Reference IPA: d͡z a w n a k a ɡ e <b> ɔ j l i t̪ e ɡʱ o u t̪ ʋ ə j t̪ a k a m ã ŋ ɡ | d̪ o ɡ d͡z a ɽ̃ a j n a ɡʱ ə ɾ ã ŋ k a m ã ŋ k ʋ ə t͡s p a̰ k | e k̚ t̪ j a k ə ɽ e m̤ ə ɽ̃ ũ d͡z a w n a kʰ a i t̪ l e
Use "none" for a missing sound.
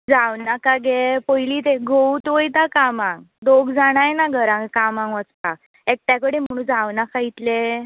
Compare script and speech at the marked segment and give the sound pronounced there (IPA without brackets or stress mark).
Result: p